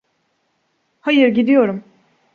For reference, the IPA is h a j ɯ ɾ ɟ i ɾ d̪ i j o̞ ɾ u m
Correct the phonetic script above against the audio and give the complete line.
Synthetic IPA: h a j ɯ ɾ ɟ i d̪ i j o̞ ɾ u m